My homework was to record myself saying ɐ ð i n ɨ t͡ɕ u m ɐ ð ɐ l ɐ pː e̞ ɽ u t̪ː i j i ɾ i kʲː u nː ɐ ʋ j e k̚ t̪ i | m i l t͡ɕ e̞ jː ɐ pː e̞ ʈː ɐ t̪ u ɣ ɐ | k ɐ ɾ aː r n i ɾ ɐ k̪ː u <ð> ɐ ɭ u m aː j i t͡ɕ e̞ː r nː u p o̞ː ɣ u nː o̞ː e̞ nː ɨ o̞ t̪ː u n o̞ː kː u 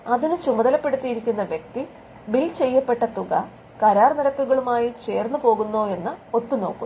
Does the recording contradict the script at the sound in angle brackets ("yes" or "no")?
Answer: yes